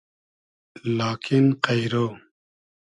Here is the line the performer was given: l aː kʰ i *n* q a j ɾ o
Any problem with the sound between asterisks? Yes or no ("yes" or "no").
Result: no